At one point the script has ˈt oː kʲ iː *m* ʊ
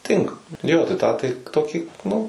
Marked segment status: incorrect: n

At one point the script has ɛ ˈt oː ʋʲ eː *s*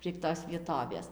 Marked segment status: correct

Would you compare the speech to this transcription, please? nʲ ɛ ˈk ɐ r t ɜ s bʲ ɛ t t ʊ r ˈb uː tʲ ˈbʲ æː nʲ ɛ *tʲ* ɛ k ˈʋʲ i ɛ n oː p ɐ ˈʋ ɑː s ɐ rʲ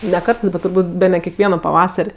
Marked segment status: incorrect: kʲ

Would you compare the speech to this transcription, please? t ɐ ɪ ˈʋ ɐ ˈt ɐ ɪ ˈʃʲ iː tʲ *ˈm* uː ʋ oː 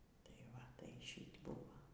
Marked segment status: incorrect: b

